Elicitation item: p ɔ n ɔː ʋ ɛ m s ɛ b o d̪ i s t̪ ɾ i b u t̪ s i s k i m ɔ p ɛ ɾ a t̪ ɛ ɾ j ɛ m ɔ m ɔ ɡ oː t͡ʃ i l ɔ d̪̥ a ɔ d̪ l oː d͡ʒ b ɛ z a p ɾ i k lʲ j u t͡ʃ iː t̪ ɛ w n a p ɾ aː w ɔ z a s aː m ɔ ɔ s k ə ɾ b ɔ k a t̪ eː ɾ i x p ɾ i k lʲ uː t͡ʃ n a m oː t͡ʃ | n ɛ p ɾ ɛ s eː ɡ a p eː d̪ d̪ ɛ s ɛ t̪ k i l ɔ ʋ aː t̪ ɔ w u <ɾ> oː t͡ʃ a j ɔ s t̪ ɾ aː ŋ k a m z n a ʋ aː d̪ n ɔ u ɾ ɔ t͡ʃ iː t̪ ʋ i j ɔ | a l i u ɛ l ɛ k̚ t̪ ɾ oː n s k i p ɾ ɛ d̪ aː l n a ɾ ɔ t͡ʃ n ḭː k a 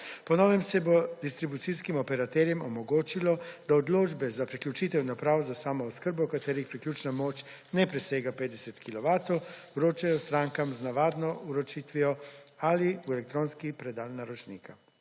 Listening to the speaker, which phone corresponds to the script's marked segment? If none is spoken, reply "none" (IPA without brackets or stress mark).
ɾ